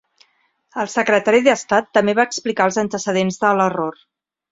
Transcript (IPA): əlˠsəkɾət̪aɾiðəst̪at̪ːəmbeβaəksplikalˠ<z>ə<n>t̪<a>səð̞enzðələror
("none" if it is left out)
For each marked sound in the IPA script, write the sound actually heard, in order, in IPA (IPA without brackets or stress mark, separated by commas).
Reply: z, n, ə